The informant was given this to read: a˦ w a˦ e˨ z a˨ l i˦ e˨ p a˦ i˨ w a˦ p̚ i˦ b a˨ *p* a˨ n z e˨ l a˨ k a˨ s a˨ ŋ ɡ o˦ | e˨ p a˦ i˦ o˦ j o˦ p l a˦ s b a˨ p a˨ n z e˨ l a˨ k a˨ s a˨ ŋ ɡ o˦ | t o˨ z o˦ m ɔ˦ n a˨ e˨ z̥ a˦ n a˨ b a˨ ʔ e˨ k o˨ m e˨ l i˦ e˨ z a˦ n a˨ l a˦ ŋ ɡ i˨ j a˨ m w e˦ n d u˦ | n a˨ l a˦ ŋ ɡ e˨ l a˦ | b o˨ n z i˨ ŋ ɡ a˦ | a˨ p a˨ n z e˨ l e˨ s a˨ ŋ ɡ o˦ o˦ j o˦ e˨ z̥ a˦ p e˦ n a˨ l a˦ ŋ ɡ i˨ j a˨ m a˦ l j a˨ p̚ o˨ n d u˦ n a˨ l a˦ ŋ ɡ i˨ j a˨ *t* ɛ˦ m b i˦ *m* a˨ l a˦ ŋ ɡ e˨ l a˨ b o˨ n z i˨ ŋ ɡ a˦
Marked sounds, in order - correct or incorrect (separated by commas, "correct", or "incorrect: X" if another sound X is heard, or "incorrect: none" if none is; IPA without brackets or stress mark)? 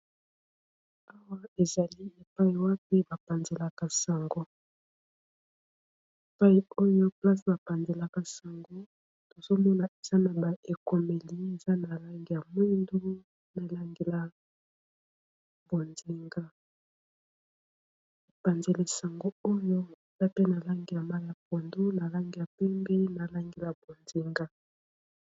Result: correct, incorrect: p, incorrect: n